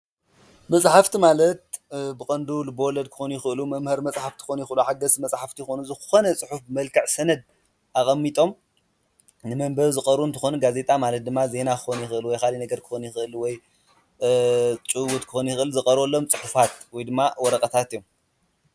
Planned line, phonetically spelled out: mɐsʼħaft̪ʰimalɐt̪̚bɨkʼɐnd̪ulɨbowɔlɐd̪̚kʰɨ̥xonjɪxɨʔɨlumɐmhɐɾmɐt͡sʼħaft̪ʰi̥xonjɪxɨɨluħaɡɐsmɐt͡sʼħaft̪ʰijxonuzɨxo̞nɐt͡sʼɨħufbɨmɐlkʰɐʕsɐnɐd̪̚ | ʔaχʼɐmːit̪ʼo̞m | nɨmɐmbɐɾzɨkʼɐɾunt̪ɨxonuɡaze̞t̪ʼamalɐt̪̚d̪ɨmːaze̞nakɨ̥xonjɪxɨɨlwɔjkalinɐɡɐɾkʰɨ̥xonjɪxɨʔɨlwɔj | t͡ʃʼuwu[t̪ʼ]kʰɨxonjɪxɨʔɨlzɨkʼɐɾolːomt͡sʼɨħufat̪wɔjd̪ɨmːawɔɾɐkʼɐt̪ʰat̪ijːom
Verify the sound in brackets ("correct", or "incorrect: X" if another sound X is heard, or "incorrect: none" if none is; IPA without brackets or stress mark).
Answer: incorrect: t̪